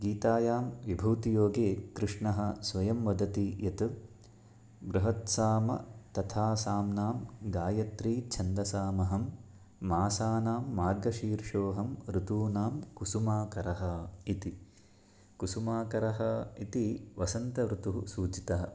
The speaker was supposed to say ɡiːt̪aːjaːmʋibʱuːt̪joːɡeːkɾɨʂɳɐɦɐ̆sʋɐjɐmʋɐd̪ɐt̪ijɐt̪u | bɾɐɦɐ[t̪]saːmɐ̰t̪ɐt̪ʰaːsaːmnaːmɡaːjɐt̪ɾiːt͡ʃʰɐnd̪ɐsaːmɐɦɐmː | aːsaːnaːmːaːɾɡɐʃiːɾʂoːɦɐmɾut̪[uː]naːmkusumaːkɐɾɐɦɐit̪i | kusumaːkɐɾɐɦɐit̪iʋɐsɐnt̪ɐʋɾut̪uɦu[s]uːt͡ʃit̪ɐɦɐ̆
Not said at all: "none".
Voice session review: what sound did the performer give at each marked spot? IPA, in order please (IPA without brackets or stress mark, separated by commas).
t̪, uː, s